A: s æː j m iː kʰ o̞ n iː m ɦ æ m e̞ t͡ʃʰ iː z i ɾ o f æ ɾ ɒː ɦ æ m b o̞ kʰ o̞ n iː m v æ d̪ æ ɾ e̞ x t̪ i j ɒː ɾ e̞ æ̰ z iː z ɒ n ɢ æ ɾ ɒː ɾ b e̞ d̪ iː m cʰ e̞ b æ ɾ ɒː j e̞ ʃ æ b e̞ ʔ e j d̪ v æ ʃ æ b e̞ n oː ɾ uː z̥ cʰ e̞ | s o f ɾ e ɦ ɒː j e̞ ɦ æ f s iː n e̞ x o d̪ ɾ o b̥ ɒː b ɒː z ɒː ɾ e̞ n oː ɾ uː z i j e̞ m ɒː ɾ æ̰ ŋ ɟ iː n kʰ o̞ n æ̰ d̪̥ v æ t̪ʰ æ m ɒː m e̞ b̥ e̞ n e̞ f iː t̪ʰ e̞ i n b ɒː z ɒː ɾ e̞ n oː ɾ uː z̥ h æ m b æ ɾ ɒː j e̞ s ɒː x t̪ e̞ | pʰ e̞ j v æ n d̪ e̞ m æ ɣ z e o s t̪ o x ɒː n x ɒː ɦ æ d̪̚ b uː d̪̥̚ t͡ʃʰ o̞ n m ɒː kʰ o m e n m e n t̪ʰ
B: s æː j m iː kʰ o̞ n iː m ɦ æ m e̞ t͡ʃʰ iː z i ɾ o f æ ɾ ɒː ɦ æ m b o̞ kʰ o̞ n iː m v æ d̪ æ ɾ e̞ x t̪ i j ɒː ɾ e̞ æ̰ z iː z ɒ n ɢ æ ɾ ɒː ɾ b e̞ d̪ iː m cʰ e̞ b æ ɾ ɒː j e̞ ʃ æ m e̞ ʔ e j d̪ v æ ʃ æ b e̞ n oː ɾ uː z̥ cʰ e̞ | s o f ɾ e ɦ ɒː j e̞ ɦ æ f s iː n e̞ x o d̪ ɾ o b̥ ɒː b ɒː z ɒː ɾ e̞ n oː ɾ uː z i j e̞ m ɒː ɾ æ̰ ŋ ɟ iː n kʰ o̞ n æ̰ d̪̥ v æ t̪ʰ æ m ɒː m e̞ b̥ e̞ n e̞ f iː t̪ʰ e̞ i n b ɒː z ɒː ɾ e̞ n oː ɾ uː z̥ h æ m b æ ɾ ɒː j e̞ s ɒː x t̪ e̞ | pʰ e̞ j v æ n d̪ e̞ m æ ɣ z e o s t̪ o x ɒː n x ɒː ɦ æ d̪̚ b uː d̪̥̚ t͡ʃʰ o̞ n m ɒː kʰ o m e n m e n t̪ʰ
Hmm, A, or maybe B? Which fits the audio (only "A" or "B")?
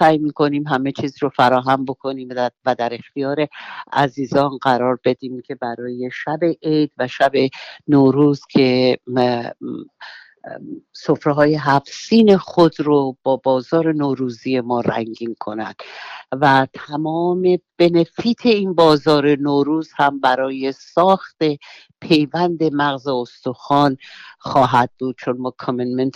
A